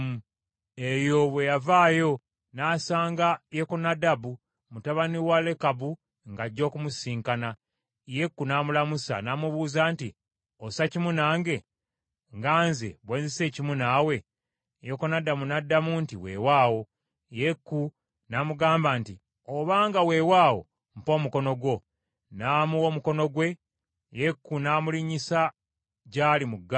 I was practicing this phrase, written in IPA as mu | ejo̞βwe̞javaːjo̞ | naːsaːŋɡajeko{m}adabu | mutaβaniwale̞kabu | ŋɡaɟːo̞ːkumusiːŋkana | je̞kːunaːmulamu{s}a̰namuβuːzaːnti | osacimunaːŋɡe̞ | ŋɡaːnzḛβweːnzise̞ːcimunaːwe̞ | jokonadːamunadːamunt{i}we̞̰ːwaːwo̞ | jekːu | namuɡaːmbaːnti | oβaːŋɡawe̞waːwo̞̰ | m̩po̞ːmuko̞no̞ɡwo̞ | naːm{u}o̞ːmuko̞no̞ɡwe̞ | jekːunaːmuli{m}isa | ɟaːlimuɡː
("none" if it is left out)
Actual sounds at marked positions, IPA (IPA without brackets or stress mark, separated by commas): n, s, i, u, ɲ